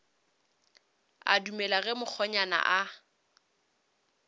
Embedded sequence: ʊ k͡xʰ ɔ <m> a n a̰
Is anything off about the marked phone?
yes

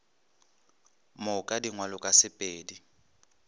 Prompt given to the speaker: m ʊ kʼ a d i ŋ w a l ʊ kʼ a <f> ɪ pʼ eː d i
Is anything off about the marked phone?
yes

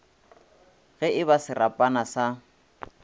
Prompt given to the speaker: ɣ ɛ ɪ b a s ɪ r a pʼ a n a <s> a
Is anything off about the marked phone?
no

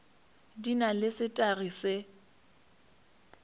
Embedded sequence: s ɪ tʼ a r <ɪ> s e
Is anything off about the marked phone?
yes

